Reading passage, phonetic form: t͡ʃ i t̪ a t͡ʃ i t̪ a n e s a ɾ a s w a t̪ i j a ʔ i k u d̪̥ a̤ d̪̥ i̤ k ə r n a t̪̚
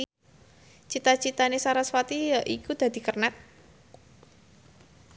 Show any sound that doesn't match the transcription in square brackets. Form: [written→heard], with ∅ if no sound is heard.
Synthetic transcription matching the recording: t͡ʃ i t̪ a t͡ʃ i t̪ a n e s a ɾ a s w a t̪ i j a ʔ i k u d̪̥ a̤ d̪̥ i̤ k ə r n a t̪̚